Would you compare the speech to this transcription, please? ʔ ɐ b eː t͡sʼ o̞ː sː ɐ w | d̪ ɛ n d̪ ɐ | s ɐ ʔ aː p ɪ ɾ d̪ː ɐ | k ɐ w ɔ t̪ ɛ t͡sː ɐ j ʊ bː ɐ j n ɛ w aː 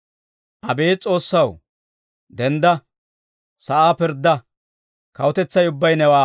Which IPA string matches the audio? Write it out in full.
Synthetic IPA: ʔ ɐ b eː t͡sʼ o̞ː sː ɐ w | d̪ ɛ n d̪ ɐ | s ɐ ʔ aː p ɪ ɾ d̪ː ɐ | k ɐ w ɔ t̪ ɛ t͡sː ɐ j ʊ bː ɐ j n ɛ w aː